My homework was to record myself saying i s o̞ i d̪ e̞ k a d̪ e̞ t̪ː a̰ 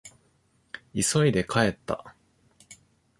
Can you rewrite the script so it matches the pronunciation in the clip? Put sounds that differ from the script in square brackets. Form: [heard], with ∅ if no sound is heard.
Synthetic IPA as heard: i s o̞ i d̪ e̞ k a [∅] e̞ t̪ː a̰